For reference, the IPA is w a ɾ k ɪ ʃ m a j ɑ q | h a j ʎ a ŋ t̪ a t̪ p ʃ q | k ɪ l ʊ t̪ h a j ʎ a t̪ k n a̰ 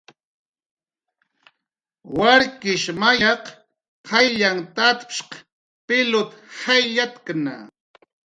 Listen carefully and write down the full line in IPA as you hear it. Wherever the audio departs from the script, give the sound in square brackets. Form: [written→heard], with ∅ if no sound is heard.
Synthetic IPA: w a ɾ k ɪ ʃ m a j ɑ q | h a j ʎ a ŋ t̪ a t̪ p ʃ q | [k→p] ɪ l ʊ t̪ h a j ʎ a t̪ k n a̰

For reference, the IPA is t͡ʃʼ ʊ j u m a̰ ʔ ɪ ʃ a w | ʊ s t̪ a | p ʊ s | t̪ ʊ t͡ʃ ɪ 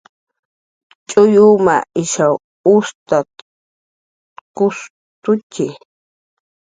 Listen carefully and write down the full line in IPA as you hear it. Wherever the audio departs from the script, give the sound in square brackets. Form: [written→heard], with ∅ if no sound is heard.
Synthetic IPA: t͡ʃʼ ʊ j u m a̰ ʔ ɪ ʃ a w | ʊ s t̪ a | [p→k] ʊ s | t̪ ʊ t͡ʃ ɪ

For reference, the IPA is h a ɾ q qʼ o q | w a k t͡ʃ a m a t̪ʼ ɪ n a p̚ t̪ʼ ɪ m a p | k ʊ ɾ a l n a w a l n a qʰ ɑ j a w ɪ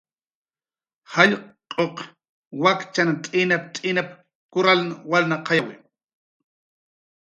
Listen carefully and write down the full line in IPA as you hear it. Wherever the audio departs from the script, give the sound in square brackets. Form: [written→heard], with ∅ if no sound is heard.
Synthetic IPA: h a [ɾ→ʎ] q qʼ o q | w a k t͡ʃ a [m→n] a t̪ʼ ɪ n a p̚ t̪ʼ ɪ [m→n] a p | k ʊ ɾ a l n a w a l n a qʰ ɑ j a w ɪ

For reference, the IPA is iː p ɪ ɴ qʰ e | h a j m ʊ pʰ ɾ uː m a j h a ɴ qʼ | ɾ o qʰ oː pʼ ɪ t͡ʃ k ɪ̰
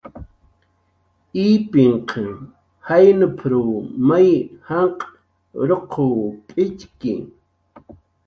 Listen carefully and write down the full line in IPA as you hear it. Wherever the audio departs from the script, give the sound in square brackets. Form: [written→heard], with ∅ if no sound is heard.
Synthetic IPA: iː p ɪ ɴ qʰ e | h a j [m→n] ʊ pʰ ɾ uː m a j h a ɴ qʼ | ɾ o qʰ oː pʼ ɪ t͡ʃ k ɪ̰

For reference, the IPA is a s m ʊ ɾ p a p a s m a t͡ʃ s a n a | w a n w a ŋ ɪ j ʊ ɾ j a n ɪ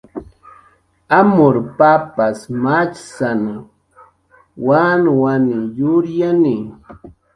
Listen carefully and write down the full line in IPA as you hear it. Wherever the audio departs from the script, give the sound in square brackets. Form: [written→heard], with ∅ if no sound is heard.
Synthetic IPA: a [s→∅] m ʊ ɾ p a p a s m a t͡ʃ s a n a | w a n w a [ŋ→n] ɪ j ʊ ɾ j a n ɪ

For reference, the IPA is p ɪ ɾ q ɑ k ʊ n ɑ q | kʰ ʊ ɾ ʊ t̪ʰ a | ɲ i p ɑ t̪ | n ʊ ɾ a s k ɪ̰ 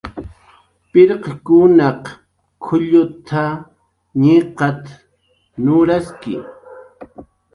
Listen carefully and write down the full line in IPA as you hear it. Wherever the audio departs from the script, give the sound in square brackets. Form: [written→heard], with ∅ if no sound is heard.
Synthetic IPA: p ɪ ɾ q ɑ k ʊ n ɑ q | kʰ ʊ [ɾ→ʎ] ʊ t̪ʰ a | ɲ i [p→q] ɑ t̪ | n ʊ ɾ a s k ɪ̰

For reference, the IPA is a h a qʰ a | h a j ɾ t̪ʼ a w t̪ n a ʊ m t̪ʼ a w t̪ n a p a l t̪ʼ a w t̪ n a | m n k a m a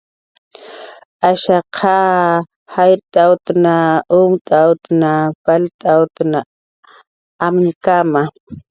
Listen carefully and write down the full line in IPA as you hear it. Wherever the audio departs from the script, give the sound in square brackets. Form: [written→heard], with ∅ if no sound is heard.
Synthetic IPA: a [h→ʃ] a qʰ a | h a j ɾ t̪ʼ a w t̪ n a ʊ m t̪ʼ a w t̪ n a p a l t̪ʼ a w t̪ n a | m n k a m a

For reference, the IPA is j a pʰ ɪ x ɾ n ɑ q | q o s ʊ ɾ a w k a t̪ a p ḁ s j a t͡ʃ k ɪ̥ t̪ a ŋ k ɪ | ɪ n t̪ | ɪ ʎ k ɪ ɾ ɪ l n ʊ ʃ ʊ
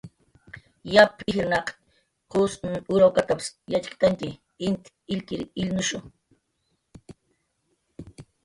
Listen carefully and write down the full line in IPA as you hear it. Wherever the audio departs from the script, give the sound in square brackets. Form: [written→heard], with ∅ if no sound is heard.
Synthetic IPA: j a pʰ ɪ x ɾ n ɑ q | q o s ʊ ɾ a w k a t̪ a p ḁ s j a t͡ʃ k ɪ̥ t̪ a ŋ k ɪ | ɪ n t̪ | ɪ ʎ k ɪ ɾ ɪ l n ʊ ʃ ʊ

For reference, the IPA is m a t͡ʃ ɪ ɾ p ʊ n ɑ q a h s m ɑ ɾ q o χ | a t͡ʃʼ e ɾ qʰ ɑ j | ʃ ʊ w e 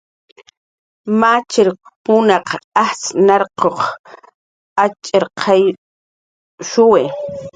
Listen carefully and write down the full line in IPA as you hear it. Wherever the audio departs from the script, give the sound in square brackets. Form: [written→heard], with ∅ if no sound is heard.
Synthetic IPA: m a t͡ʃ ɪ ɾ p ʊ n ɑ q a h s [m→n] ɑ ɾ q o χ | a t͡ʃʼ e ɾ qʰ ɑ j | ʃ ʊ w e

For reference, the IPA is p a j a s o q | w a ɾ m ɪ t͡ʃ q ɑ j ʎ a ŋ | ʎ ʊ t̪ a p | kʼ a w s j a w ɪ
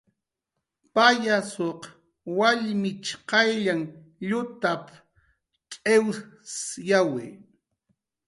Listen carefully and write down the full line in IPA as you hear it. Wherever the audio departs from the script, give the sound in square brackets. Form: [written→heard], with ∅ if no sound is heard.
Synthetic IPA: p a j a s o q | w a [ɾ→ʎ] m ɪ t͡ʃ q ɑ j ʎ a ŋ | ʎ ʊ t̪ a p | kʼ [a→e] w s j a w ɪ

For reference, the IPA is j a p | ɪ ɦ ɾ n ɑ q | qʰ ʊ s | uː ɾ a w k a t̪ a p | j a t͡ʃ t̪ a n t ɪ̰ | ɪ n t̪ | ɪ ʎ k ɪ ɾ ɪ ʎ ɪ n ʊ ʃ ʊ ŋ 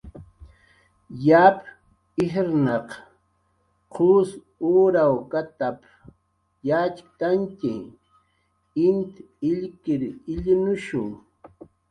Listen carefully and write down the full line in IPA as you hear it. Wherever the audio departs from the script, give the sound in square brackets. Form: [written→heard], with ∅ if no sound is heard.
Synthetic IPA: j a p | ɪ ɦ ɾ n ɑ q | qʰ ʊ s | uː ɾ a w k a t̪ a p | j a t͡ʃ t̪ a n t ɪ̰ | ɪ n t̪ | ɪ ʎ k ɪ ɾ ɪ ʎ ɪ n ʊ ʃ ʊ ŋ

